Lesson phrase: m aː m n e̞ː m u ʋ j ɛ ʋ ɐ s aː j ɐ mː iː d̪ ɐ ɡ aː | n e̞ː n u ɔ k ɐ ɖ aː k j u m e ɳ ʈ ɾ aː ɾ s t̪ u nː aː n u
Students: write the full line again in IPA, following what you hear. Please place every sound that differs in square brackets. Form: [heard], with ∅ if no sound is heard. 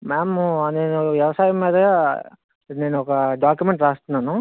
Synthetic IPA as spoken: m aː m n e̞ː [n] u ʋ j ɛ ʋ ɐ s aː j ɐ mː iː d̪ ɐ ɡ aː | n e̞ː n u ɔ k ɐ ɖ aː k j u m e ɳ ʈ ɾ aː [∅] s t̪ u nː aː n u